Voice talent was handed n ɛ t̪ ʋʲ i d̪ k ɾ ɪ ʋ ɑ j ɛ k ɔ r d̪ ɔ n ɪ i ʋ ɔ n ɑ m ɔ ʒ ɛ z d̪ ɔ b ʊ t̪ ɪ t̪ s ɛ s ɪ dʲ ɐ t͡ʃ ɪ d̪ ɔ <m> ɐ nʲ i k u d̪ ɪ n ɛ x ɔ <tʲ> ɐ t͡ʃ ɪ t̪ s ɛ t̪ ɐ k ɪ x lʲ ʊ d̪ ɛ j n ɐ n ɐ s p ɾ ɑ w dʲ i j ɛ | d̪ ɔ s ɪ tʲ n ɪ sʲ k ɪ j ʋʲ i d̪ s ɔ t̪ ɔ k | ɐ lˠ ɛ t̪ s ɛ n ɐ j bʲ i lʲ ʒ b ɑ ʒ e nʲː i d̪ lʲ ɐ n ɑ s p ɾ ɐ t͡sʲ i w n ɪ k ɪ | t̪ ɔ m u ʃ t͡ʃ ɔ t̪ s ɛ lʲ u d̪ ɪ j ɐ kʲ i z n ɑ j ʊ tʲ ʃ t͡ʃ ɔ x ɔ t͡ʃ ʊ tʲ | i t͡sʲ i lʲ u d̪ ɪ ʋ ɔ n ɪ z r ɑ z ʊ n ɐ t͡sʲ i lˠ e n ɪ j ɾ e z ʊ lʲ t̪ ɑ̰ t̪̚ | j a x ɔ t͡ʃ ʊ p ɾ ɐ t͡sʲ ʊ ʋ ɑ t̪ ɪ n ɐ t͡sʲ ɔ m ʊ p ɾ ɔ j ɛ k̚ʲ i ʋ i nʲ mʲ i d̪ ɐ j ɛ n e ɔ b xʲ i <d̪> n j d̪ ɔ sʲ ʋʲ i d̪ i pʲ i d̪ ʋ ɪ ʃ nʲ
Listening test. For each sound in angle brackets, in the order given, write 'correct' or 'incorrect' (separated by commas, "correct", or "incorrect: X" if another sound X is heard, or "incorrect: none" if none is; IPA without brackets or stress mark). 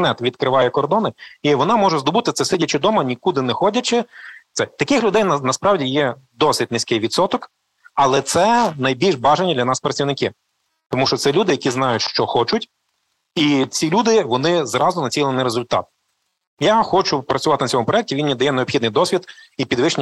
correct, incorrect: dʲ, correct